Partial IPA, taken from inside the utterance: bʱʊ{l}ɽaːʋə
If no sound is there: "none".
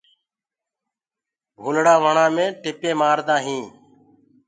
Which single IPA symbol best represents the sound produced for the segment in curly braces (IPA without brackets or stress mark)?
l